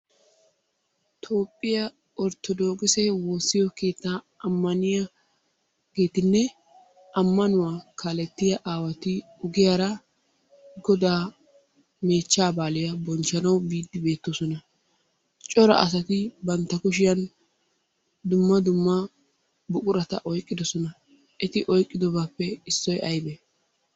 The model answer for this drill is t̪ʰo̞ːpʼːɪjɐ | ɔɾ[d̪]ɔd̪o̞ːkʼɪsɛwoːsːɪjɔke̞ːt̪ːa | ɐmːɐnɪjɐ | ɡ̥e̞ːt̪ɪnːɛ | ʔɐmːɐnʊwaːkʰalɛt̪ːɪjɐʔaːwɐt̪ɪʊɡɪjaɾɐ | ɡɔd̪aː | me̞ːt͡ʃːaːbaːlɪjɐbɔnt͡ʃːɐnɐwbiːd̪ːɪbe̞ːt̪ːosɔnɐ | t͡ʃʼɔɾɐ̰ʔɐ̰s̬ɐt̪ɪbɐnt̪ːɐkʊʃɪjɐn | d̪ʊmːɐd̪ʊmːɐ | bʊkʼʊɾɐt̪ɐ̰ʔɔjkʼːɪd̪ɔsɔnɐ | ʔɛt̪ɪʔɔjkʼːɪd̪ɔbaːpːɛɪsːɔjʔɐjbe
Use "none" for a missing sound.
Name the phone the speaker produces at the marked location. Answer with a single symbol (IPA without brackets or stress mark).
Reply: t̪